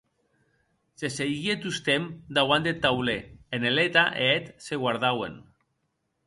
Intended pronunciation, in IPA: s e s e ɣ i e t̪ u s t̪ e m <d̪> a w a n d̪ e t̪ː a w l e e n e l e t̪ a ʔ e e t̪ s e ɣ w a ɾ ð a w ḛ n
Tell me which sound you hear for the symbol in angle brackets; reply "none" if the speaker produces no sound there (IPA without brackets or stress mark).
d̪